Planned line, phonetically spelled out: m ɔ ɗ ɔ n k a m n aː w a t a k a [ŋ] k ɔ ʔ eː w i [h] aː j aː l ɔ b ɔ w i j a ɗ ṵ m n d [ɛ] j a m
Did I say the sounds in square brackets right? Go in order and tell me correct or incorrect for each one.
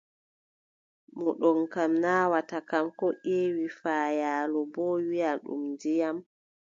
incorrect: m, incorrect: f, incorrect: i

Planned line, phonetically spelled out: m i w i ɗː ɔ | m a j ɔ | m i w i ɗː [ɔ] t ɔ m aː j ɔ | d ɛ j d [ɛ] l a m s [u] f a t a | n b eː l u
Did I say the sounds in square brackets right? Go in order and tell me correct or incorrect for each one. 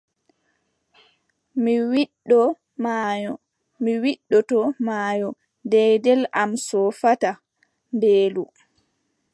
correct, correct, incorrect: ɔ

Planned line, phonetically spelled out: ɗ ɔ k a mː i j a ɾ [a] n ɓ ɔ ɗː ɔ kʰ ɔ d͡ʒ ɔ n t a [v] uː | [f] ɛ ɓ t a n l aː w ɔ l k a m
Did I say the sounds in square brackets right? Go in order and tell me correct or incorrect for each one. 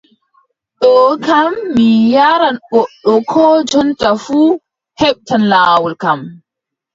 correct, incorrect: f, incorrect: h

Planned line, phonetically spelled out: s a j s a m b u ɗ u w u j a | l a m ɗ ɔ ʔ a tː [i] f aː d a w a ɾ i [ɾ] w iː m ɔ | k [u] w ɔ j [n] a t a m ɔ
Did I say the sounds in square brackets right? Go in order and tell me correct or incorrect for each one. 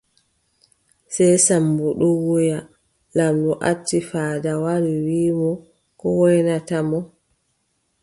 correct, incorrect: none, incorrect: ɔ, correct

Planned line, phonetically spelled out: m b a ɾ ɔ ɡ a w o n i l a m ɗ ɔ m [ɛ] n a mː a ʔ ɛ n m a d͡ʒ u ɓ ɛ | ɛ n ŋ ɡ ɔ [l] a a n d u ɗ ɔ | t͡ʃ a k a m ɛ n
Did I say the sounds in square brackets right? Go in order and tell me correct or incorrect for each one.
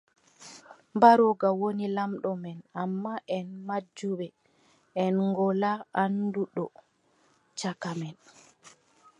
correct, correct

